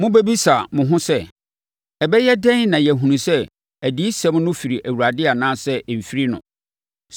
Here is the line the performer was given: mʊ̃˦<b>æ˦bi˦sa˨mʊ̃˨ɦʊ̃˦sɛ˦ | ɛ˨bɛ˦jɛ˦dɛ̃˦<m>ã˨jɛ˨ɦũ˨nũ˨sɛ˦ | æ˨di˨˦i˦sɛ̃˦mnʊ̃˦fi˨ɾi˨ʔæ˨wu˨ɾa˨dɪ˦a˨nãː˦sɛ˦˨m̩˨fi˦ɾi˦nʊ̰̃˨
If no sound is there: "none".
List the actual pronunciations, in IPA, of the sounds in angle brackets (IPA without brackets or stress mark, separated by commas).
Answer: b, n